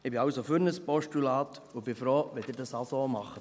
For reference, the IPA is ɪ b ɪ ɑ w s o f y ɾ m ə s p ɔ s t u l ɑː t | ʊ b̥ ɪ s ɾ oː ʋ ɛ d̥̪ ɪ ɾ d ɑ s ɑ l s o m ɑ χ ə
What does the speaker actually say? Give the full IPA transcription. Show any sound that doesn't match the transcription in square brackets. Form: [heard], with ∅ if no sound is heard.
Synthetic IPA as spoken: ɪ b ɪ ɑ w s o f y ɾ [n] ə s p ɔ [ʃ] t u l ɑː t | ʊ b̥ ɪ [f] ɾ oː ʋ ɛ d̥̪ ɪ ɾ d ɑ s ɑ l s o m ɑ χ ə